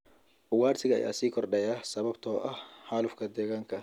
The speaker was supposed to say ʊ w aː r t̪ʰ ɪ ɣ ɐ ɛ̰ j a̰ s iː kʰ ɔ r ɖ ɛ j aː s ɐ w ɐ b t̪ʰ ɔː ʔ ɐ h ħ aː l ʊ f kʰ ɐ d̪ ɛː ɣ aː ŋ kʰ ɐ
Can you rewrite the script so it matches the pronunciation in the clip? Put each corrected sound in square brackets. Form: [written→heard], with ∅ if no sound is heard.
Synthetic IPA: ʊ w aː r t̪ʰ ɪ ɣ ɐ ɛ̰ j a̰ s iː kʰ ɔ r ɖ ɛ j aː s ɐ [w→β] ɐ b t̪ʰ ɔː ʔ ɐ h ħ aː l ʊ f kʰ ɐ d̪ ɛː ɣ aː ŋ kʰ ɐ